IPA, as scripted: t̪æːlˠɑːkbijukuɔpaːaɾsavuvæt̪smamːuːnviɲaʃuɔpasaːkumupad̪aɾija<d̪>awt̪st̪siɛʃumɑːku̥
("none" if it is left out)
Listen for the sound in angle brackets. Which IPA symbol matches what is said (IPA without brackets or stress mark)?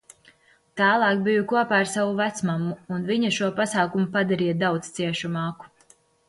d̪